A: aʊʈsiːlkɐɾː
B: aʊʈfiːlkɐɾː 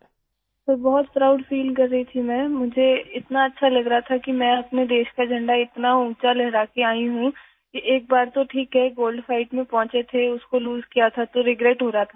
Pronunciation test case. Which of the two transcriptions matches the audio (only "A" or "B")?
B